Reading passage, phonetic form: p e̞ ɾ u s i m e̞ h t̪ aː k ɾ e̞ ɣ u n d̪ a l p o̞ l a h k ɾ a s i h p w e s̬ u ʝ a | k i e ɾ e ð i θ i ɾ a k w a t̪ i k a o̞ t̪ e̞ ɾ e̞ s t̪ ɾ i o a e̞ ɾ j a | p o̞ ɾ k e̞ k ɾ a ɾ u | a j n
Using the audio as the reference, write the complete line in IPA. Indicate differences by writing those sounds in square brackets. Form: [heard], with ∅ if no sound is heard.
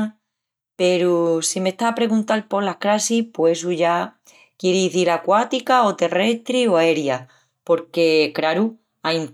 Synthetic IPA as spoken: p e̞ ɾ u s i m e̞ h t̪ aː [p] ɾ e̞ ɣ u n [t̪] a l p o̞ l a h k ɾ a s i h p w e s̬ u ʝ a | k [j] e ɾ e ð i θ i ɾ a k w a t̪ i k a o̞ t̪ e̞ [r] e̞ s t̪ ɾ i o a e̞ ɾ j a | p o̞ ɾ k e̞ k ɾ a ɾ u | a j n